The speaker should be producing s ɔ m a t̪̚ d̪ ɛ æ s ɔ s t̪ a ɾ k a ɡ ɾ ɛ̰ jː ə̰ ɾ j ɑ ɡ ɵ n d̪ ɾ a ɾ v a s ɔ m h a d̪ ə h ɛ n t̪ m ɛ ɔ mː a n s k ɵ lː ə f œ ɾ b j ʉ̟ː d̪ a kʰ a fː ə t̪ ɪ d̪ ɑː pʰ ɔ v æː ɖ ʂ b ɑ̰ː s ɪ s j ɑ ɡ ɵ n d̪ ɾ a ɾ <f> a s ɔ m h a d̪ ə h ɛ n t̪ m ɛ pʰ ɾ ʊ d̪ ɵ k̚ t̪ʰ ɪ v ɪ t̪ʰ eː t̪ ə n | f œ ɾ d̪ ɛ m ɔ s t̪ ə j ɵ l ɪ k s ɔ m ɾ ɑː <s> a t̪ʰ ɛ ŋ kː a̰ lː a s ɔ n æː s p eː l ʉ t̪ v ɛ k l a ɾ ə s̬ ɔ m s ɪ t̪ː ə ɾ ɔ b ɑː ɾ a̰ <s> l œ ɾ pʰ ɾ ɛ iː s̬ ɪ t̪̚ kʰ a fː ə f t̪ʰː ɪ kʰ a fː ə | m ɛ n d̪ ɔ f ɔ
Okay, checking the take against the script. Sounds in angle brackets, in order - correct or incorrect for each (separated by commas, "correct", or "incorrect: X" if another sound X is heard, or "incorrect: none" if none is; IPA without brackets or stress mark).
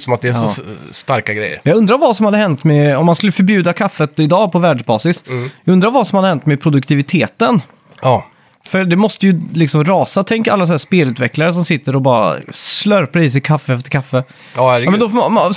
incorrect: v, correct, correct